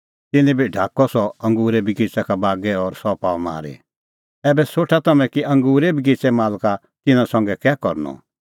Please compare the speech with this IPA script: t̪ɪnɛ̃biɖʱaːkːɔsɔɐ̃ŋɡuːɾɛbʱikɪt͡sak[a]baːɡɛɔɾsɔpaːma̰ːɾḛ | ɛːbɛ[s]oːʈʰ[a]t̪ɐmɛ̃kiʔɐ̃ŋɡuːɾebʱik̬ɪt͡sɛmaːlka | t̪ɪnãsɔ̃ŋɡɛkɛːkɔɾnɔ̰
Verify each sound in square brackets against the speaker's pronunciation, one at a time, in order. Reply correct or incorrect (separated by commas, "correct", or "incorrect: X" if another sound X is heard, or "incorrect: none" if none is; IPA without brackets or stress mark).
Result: correct, correct, correct